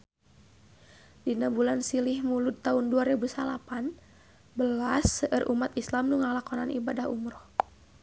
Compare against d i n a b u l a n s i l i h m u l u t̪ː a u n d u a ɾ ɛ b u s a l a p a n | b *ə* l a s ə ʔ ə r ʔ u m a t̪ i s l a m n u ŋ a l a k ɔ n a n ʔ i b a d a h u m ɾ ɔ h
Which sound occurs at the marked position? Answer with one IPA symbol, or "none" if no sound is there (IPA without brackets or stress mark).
ə